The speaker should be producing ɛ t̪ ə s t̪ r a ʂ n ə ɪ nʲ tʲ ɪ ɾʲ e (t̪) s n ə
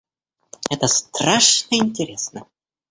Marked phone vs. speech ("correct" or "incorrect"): incorrect